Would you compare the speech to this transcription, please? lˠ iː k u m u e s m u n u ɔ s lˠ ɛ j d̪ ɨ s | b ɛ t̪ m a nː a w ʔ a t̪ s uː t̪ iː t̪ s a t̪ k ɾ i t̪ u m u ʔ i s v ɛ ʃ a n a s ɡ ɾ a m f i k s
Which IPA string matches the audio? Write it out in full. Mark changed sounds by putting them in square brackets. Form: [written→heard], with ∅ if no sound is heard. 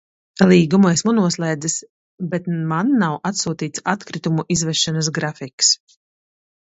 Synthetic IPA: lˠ iː [k→ɡ] u m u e s m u n u ɔ s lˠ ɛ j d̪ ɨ s | b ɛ t̪ m a nː a w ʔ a t̪ s uː t̪ iː t̪ s a t̪ k ɾ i t̪ u m u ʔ i [s→z] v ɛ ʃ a n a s ɡ ɾ a [m→∅] f i k s